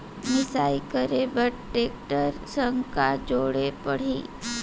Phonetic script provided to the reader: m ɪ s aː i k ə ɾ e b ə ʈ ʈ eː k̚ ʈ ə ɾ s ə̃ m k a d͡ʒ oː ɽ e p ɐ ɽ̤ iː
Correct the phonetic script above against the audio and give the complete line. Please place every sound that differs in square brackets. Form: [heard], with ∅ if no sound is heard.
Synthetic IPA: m ɪ s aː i k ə ɾ e b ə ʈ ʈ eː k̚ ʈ ə ɾ s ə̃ [ŋ] k a d͡ʒ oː ɽ e p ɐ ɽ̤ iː